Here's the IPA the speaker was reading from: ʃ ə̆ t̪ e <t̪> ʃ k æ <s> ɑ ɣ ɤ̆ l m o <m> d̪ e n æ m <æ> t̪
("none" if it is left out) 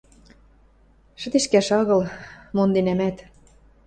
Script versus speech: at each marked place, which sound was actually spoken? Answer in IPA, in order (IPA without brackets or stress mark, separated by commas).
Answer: none, ʃ, n, æ